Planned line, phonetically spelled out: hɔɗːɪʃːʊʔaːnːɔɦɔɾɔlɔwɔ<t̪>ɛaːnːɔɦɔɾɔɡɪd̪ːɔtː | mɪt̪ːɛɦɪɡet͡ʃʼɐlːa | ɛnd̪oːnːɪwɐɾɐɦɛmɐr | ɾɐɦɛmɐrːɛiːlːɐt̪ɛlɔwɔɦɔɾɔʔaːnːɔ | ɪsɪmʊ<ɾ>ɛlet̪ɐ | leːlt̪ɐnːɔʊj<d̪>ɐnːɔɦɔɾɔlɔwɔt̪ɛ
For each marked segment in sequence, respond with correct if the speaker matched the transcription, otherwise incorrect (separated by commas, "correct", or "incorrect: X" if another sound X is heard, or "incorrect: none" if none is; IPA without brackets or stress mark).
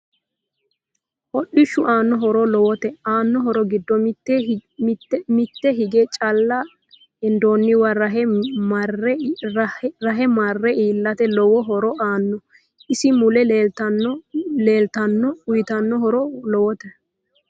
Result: correct, incorrect: l, incorrect: t̪